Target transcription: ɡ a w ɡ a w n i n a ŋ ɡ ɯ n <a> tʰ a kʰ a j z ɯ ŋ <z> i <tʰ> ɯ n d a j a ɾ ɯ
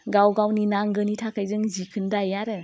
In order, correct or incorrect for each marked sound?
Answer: incorrect: i, correct, incorrect: kʰ

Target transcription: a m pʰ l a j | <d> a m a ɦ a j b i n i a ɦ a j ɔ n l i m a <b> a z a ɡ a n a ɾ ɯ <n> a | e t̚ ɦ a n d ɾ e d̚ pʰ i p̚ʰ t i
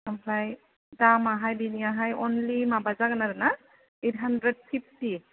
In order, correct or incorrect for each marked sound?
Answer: correct, correct, correct

